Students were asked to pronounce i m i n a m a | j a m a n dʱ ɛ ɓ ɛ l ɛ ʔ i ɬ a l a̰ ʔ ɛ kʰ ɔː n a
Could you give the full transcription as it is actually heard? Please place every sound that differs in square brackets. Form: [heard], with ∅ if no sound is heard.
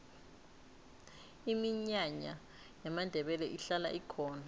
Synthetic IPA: i m i [ɲ] a [ɲ] a | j a m a n dʱ ɛ ɓ ɛ l ɛ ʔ i ɬ a l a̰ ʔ [i] kʰ ɔː n a